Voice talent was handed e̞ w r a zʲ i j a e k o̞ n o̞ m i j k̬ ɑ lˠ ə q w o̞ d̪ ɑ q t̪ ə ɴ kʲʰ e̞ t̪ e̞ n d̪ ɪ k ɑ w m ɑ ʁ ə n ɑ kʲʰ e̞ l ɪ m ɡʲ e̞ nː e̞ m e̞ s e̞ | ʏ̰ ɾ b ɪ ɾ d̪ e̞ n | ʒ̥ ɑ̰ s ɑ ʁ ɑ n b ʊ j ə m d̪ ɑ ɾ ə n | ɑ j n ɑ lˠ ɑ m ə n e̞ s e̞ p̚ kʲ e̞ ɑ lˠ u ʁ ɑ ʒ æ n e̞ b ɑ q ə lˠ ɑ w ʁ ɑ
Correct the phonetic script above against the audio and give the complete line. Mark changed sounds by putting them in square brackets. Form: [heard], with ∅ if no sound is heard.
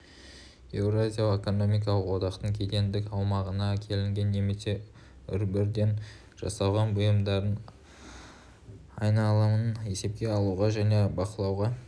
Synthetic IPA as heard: e̞ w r a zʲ i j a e k o̞ n o̞ m i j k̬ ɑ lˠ ə q w o̞ d̪ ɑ q t̪ ə ɴ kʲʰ e̞ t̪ e̞ n d̪ ɪ k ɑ w m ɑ ʁ ə n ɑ kʲʰ e̞ l ɪ [ŋ] ɡʲ e̞ nː e̞ m e̞ s e̞ | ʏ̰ ɾ b ɪ ɾ d̪ e̞ n | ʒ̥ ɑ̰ s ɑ ʁ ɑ n b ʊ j ə m d̪ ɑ ɾ ə n | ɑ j n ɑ lˠ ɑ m ə n e̞ s e̞ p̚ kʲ e̞ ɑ lˠ u ʁ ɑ ʒ æ n e̞ b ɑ q ə lˠ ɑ w ʁ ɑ